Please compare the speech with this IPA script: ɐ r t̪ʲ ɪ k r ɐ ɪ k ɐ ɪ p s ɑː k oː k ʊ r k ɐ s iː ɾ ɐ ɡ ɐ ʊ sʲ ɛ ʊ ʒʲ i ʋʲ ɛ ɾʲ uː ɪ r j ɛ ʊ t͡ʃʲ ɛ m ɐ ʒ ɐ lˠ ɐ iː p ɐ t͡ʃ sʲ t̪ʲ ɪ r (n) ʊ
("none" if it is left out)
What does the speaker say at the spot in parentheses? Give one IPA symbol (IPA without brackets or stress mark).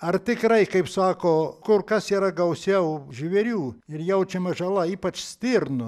n